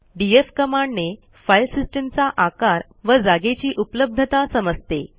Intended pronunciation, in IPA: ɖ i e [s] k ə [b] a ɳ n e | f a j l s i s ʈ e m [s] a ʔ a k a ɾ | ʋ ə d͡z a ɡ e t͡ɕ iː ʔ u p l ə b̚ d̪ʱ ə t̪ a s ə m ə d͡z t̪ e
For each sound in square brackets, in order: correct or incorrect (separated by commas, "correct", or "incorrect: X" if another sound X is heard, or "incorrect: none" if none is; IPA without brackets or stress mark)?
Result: incorrect: f, incorrect: m, incorrect: t͡s